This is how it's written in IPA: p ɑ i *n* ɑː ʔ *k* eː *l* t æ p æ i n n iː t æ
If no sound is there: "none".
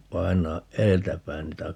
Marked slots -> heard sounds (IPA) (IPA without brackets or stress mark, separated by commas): n, ʔ, l